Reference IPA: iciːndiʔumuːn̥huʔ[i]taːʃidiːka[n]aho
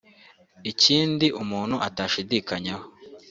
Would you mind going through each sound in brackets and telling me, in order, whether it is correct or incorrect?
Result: incorrect: a, incorrect: ɲ

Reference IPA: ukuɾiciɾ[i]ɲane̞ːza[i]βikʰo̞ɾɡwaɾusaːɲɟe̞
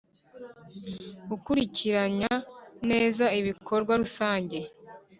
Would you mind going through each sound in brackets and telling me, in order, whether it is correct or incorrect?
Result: incorrect: a, correct

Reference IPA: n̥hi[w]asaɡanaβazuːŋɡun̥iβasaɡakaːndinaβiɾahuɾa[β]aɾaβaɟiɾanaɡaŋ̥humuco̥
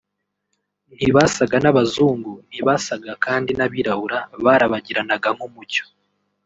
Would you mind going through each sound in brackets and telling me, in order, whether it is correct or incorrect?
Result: incorrect: β, correct

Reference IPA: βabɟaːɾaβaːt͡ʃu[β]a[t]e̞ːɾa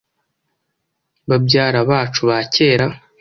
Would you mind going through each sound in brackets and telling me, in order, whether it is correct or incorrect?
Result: correct, incorrect: c

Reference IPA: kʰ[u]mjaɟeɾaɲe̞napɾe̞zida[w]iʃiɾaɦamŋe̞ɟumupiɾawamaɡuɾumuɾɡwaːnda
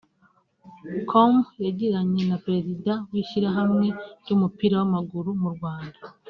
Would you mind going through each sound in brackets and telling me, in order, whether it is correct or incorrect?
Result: incorrect: o, correct

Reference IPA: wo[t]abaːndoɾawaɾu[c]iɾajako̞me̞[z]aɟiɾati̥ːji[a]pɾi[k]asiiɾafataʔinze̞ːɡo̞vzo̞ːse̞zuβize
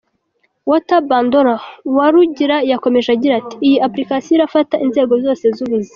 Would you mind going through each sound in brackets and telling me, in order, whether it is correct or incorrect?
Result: correct, incorrect: ɟ, incorrect: ʒ, correct, correct

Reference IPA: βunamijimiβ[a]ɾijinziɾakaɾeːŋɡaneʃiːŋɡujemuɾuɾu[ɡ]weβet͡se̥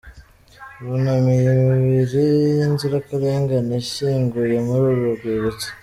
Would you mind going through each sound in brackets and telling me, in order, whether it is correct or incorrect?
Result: incorrect: i, correct

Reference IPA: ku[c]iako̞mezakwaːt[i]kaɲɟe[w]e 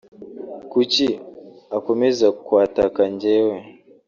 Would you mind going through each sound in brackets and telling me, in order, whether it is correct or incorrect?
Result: correct, incorrect: a, correct

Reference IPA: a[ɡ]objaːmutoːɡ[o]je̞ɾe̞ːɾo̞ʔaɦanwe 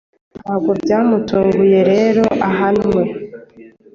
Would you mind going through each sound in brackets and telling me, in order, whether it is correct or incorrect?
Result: correct, incorrect: u

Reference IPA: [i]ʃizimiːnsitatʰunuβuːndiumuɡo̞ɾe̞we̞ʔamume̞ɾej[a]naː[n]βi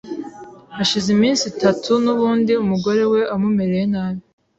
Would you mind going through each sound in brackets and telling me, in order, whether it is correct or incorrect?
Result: incorrect: a, incorrect: e, incorrect: none

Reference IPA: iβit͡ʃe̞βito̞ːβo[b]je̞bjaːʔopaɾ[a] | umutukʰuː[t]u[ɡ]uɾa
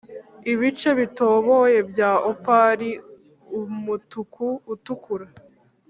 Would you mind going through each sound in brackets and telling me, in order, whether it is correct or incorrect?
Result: incorrect: none, incorrect: i, correct, incorrect: k

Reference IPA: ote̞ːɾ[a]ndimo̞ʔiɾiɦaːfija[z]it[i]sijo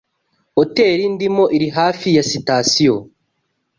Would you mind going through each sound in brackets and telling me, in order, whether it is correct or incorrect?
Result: incorrect: i, incorrect: s, incorrect: a

